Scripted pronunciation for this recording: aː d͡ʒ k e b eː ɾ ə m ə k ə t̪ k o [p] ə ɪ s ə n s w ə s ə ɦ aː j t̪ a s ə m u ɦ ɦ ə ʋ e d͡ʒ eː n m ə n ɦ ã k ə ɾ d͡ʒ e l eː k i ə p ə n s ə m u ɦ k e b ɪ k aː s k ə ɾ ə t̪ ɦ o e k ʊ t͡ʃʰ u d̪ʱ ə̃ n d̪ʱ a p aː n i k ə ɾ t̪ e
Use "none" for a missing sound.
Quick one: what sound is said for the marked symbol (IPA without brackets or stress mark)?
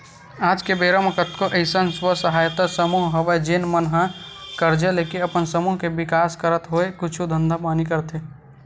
ʔ